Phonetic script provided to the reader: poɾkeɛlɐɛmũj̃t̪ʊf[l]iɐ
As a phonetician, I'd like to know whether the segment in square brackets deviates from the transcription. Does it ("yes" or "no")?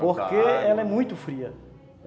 yes